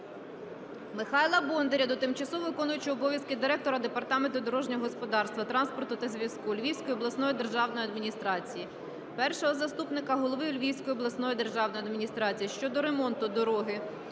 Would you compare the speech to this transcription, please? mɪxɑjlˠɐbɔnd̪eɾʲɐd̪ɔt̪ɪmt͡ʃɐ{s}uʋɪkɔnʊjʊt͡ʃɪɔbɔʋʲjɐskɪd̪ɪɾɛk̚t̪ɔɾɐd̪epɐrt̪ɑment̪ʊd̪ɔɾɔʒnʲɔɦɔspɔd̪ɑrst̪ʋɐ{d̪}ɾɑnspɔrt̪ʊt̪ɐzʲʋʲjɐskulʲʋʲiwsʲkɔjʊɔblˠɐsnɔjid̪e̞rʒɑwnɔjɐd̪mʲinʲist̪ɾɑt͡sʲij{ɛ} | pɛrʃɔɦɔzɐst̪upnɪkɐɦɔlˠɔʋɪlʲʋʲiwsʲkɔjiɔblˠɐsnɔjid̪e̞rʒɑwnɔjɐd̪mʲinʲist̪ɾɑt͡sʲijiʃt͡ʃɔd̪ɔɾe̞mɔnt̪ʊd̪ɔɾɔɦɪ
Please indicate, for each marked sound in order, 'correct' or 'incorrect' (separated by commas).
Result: correct, incorrect, incorrect